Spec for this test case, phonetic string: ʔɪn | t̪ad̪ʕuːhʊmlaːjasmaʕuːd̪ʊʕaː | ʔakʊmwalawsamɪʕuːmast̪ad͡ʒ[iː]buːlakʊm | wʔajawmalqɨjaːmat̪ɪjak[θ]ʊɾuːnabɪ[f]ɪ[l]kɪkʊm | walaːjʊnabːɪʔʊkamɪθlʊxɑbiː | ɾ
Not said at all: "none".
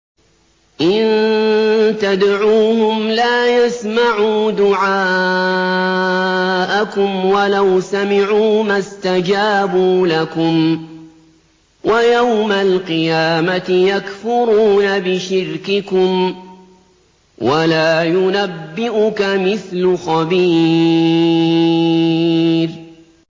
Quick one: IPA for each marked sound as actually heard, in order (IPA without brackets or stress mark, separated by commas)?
aː, f, ʃ, ɾ